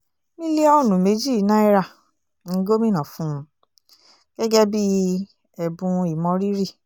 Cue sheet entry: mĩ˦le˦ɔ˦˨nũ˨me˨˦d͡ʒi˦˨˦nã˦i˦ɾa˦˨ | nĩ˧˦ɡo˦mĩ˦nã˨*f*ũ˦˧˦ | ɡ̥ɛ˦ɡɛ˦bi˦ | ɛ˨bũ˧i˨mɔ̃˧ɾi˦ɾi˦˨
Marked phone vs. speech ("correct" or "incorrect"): correct